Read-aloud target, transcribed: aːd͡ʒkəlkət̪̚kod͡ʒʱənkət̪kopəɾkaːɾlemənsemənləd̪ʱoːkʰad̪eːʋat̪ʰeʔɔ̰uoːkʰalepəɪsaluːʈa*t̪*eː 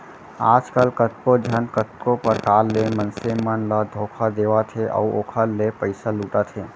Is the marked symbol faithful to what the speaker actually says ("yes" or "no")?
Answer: no